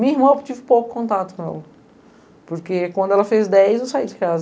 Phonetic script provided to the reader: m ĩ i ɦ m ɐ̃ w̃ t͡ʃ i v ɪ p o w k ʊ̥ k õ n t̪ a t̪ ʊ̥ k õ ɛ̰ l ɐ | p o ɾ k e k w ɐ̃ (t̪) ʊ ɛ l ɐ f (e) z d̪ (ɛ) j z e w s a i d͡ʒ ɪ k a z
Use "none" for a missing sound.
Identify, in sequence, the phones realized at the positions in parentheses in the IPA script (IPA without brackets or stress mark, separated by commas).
d̪, e, ɛ